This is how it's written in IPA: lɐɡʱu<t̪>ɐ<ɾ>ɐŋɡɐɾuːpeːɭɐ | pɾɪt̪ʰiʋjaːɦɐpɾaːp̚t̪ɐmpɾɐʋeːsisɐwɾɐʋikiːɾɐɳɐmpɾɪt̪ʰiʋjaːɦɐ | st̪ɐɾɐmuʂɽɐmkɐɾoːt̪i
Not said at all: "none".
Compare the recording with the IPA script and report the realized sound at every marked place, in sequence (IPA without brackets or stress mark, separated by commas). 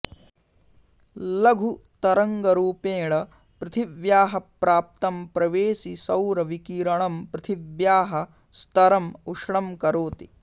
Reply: t̪, ɾ